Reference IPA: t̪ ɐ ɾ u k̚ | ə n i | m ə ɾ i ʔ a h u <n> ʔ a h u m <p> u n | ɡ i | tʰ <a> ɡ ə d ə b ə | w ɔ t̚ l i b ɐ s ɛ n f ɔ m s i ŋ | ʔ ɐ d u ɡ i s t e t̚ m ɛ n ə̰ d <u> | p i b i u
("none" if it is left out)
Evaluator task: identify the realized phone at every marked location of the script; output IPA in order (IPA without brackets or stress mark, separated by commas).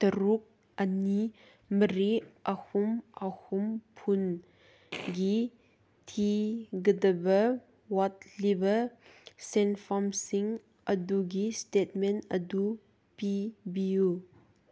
m, pʰ, i, u